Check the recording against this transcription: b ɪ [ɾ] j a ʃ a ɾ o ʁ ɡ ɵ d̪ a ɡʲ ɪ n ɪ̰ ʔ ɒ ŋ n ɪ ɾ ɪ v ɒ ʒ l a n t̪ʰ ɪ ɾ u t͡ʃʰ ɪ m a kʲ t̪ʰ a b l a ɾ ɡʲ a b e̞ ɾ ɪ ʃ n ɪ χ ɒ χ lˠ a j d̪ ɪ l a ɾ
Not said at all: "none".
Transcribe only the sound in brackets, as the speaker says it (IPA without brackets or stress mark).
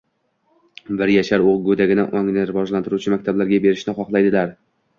ɾ